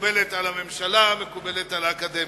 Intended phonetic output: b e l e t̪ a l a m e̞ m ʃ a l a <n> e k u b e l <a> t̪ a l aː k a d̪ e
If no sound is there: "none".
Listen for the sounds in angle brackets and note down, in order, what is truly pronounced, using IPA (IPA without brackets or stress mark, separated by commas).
m, e